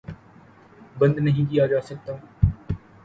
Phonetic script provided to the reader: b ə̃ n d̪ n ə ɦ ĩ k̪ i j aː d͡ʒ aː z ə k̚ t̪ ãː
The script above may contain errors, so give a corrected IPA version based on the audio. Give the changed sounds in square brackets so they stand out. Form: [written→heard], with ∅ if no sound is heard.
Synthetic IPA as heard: b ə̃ n d̪ n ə ɦ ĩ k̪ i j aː d͡ʒ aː [z→s] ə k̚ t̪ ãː